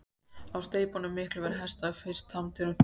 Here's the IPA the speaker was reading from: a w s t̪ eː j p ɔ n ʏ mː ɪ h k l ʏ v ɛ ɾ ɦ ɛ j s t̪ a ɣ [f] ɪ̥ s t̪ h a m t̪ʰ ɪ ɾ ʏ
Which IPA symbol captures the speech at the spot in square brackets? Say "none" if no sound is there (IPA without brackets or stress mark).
f